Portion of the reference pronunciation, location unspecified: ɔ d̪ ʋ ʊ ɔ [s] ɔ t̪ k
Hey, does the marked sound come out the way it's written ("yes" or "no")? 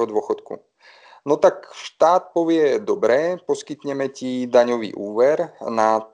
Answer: no